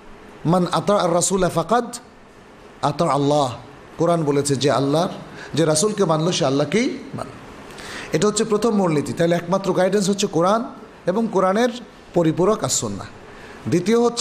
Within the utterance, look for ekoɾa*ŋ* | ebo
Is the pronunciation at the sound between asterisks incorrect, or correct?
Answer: incorrect